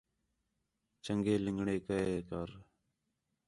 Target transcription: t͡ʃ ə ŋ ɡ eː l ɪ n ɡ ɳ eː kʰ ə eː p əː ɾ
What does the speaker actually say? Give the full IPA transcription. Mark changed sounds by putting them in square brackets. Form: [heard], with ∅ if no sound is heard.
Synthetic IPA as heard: t͡ʃ ə ŋ ɡ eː l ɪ [ŋ] ɡ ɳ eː [k] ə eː [k] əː ɾ